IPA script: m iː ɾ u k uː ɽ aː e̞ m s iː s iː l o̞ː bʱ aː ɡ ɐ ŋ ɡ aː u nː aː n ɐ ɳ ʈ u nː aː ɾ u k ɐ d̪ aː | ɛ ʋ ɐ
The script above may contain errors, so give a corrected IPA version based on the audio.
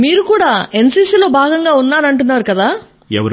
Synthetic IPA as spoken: m iː ɾ u k uː ɽ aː e̞ n s iː s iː l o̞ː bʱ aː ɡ ɐ ŋ ɡ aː u nː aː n ɐ ɳ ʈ u nː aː ɾ u k ɐ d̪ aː | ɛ ʋ ɐ